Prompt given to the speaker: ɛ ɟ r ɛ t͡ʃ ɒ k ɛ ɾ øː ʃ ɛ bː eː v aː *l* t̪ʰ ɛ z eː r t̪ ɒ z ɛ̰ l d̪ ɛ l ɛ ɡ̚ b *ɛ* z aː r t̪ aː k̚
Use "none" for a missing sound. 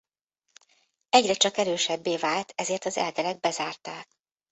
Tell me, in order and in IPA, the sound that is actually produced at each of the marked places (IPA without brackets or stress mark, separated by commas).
l, ɛ